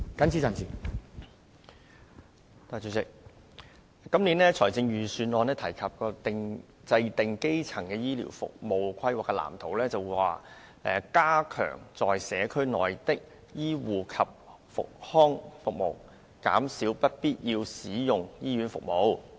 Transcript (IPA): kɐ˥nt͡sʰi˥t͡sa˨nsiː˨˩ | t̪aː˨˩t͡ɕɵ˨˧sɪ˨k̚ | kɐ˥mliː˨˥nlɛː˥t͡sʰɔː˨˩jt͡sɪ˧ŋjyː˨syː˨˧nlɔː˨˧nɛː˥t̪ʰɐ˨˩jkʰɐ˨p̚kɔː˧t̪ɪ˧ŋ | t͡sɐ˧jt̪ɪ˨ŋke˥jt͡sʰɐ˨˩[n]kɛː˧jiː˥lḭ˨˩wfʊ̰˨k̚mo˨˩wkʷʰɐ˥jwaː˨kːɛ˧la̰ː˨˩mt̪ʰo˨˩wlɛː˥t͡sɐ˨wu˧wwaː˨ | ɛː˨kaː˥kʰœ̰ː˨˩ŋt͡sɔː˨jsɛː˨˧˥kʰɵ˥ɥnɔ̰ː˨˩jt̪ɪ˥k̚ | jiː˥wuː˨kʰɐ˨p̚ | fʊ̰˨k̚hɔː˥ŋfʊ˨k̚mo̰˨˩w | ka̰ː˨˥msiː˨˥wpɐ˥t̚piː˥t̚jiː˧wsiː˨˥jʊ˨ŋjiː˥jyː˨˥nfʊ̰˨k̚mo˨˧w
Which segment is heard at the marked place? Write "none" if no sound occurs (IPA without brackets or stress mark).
ŋ